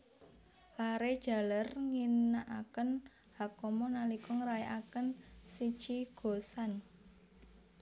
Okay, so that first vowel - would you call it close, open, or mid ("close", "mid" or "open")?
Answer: open